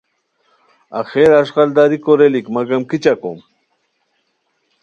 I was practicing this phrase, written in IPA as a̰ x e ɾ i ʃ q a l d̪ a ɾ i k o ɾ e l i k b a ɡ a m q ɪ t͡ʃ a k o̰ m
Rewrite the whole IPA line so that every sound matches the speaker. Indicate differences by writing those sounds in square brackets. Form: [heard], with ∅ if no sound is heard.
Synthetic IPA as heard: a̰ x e ɾ [a] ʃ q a l d̪ a ɾ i k o ɾ e l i k [m] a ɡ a m [k] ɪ t͡ʃ a k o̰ m